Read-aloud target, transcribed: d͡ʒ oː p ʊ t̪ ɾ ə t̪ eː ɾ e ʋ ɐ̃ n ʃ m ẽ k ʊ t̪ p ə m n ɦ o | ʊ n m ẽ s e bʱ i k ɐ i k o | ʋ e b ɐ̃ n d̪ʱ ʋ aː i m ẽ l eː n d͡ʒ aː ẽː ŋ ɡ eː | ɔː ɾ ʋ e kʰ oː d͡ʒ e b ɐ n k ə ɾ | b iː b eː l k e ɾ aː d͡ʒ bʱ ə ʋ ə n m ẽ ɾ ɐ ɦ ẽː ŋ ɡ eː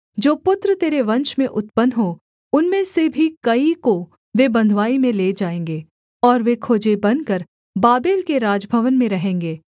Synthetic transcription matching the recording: d͡ʒ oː p ʊ t̪ ɾ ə t̪ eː ɾ e ʋ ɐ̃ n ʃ m ẽ ʔ ʊ t̪ p ə n ɦ o | ʊ n m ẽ s e bʱ i k ɐ i k o | ʋ e b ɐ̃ n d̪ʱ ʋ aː i m ẽ l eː d͡ʒ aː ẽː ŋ ɡ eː | ɔː ɾ ʋ e kʰ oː d͡ʒ e b ɐ n k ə ɾ | b aː b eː l k e ɾ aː d͡ʒ bʱ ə ʋ ə n m ẽ ɾ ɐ ɦ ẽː ŋ ɡ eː